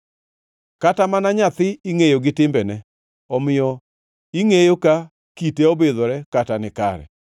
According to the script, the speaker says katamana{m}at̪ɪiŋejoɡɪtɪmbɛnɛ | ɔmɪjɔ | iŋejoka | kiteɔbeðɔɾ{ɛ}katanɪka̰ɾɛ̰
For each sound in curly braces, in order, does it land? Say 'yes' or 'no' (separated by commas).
no, yes